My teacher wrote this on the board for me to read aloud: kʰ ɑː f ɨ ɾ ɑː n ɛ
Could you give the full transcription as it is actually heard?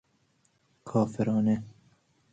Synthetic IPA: kʰ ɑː f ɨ ɾ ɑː n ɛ